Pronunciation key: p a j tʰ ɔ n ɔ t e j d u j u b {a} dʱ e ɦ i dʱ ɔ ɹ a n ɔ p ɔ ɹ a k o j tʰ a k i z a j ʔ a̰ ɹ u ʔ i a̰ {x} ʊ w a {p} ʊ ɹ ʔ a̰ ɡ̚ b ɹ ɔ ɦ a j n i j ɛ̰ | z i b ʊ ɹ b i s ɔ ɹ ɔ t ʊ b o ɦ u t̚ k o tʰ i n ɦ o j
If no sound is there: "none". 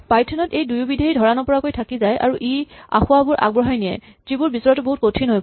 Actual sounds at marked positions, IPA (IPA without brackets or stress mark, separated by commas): i, x, b